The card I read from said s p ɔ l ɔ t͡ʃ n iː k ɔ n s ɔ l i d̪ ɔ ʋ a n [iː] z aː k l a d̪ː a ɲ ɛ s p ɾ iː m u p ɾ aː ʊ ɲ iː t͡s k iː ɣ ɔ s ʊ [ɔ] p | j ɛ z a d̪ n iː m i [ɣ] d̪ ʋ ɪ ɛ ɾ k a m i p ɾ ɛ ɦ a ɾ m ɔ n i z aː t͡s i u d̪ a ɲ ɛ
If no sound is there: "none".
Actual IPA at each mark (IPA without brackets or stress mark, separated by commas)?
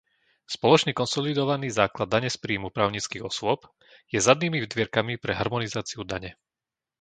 iː, ɔ, v